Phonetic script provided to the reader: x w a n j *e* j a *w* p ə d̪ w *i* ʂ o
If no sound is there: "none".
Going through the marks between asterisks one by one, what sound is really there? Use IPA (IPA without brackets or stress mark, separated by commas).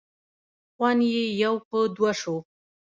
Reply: e, w, a